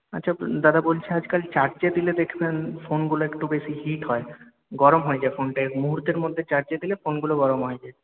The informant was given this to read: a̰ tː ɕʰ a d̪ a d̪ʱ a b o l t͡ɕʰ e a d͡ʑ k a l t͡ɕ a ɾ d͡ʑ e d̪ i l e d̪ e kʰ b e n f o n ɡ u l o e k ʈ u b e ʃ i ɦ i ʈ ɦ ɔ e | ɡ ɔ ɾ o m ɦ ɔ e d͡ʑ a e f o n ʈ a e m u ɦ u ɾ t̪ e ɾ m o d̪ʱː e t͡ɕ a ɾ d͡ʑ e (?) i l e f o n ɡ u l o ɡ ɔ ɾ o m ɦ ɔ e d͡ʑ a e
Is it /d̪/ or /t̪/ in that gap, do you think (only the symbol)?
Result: d̪